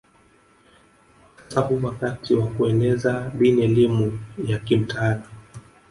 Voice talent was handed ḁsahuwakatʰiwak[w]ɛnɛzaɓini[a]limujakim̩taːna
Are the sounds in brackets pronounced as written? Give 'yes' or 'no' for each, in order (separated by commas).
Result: no, no